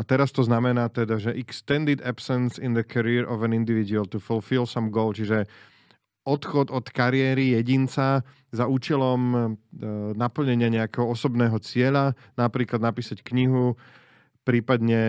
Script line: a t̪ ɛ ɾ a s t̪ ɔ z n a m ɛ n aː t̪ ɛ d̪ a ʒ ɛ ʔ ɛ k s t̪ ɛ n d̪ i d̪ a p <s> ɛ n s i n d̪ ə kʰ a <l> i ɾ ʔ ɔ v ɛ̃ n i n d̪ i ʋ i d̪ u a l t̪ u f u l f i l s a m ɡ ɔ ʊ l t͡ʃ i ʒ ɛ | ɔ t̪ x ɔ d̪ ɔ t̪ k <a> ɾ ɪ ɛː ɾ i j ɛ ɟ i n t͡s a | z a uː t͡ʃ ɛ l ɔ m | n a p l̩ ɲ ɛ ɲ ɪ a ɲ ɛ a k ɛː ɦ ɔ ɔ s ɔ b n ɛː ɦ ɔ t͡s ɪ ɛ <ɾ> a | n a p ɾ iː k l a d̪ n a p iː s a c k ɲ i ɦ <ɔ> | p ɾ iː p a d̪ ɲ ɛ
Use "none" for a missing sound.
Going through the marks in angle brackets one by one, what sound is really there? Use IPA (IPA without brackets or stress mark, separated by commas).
s, ɾ, a, ʎ, u